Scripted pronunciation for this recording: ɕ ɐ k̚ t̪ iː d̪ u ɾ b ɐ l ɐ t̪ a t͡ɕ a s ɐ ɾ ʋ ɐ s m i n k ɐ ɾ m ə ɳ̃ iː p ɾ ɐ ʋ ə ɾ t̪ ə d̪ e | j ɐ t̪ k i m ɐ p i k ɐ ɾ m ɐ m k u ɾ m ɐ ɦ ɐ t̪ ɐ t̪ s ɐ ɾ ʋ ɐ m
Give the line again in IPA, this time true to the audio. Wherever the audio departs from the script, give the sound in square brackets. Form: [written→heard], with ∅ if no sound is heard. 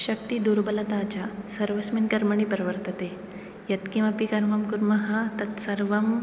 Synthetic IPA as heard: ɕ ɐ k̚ t̪ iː d̪ u ɾ b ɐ l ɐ t̪ a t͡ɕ a s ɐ ɾ ʋ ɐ s m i n k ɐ ɾ m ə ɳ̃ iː p ɾ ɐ ʋ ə ɾ t̪ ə [d̪→t̪] e | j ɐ t̪ k i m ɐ p i k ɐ ɾ m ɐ m k u ɾ m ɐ ɦ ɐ t̪ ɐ t̪ s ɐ ɾ ʋ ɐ m